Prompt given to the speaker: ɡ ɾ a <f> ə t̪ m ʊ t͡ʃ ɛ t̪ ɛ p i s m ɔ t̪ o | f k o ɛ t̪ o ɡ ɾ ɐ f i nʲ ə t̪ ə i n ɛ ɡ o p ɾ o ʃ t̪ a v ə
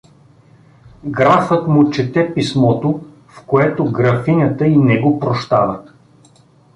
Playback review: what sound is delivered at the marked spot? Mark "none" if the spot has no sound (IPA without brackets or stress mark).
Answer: f